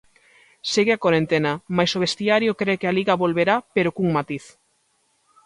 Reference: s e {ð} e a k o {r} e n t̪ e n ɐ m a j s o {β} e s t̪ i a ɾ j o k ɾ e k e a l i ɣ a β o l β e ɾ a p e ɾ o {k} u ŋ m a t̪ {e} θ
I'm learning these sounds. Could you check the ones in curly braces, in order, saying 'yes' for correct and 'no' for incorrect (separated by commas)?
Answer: no, no, yes, yes, no